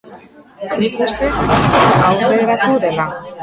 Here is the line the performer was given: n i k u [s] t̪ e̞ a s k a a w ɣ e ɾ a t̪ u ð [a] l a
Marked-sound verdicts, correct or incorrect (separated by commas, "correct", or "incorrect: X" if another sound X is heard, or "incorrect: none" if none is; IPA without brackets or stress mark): correct, incorrect: e